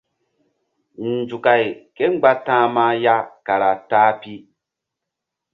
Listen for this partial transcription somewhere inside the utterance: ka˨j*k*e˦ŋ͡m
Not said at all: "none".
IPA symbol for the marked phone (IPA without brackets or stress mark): k